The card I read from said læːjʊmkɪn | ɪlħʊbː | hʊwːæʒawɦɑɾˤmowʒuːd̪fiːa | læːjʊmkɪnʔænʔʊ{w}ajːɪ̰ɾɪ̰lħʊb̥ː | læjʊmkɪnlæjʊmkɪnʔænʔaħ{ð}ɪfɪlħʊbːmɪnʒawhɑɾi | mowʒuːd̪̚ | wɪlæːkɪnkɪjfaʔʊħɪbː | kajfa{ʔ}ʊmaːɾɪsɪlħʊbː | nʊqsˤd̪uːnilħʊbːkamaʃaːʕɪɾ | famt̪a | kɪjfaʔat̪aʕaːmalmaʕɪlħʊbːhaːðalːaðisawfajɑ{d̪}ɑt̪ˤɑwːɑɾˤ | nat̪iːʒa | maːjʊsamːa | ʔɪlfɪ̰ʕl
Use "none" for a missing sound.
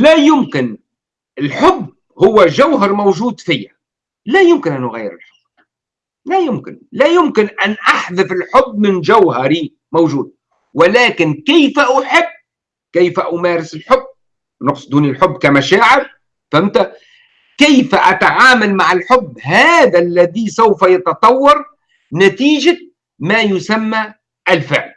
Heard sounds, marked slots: ɣ, ð, ʔ, t̪

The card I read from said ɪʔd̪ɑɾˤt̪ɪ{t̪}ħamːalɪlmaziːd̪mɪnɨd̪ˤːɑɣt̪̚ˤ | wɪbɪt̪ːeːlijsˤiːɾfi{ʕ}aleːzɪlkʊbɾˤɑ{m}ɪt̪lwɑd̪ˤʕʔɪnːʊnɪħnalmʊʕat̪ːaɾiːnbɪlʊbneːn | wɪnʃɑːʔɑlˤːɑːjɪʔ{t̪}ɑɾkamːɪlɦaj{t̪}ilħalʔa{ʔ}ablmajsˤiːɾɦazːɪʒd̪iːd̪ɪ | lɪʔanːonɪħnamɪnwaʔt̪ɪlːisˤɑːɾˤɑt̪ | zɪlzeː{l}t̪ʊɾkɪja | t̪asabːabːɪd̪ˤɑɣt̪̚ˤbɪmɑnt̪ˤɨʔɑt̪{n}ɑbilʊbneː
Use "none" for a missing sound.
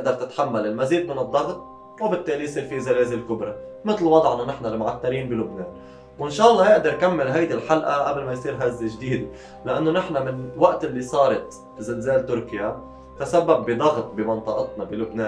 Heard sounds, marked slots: t̪, z, m, d̪, d̪, ʔ, l, n

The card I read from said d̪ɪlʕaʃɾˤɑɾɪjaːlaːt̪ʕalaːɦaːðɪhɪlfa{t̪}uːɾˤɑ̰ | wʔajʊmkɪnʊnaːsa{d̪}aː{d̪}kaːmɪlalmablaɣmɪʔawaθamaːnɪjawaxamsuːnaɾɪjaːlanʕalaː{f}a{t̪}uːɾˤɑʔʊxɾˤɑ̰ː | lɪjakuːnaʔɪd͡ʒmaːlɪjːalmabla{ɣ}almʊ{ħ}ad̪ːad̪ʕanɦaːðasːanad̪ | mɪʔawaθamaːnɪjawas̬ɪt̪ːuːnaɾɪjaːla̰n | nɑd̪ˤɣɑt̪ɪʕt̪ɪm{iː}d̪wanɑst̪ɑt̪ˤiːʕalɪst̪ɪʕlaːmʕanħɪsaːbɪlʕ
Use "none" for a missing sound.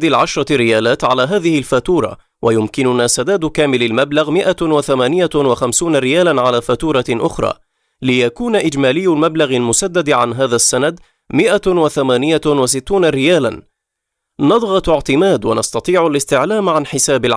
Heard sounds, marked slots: t̪, d̪, d̪, f, t̪, ɣ, s, aː

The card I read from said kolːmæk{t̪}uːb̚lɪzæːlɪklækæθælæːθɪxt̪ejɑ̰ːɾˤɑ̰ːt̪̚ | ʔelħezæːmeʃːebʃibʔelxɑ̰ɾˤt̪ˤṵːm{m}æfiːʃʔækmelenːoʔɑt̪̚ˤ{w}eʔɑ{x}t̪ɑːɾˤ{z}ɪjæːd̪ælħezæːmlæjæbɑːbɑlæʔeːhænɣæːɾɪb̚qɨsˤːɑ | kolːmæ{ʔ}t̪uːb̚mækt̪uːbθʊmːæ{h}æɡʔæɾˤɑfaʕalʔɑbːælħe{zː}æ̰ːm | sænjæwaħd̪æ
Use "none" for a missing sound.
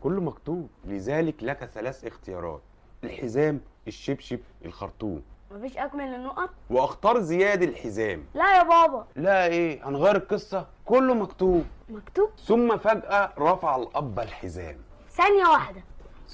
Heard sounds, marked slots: t̪, m, w, x, z, k, f, z

